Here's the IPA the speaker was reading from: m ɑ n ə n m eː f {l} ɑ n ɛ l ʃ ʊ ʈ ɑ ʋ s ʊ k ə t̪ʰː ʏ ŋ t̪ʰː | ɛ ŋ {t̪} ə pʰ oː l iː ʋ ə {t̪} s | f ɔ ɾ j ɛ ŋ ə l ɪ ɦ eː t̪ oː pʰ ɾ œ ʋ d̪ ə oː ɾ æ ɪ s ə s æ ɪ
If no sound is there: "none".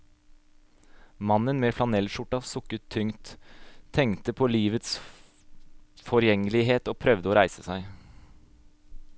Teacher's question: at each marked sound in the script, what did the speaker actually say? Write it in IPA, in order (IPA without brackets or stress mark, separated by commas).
l, t̪, t̪